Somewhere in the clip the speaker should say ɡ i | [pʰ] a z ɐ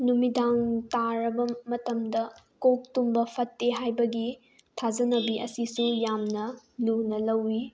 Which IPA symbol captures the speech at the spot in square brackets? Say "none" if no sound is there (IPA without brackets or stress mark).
tʰ